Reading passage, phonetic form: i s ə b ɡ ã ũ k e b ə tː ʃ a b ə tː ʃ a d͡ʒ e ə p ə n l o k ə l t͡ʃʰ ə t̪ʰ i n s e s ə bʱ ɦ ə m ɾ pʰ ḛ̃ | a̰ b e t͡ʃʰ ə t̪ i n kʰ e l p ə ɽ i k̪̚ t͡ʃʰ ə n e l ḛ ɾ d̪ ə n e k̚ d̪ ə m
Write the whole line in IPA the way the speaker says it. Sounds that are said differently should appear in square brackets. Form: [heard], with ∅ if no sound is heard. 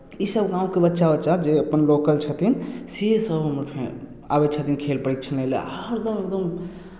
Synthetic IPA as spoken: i s ə b ɡ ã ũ k e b ə tː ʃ a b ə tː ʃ a d͡ʒ e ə p ə n l o k ə l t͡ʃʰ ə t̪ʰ i n s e s ə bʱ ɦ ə m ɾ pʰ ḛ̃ | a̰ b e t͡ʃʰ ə t̪ i n kʰ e l p ə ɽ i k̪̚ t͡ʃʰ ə n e l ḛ ɾ d̪ ə [m] e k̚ d̪ ə m

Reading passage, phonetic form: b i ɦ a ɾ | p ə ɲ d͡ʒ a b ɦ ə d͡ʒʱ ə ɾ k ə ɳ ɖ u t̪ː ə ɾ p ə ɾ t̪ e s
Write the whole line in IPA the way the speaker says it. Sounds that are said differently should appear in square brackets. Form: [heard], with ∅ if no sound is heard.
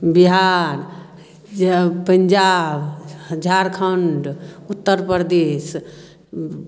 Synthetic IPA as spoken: b i ɦ a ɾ | p ə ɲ d͡ʒ a b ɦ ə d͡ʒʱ [a] ɾ [kʰ] ə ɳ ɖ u t̪ː ə ɾ p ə ɾ [d̪] e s

